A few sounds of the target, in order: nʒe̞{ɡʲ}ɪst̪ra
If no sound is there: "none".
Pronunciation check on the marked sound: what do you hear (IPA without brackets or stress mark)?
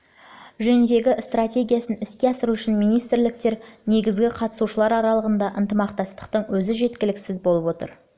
ɡʲ